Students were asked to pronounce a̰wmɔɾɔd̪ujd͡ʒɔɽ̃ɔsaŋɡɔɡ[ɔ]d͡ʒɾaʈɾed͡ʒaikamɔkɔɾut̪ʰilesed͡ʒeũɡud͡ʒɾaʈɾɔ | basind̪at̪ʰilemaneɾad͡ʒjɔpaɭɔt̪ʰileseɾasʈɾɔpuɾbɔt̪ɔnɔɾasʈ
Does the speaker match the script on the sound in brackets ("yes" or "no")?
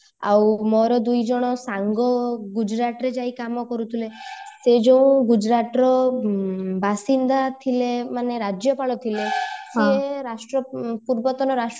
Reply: no